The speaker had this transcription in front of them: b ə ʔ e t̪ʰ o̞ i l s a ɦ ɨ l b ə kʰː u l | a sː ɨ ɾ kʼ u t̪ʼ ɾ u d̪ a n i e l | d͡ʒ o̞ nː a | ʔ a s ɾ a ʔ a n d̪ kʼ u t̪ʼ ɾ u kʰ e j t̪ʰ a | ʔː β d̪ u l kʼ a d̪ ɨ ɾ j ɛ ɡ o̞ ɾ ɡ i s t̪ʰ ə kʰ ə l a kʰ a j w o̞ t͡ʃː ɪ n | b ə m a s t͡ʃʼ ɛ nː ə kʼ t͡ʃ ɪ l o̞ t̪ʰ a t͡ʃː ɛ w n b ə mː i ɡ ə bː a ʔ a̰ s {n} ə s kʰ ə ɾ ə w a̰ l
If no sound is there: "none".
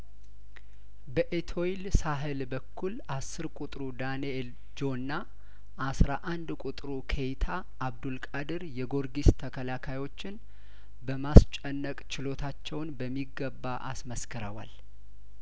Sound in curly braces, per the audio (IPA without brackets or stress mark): m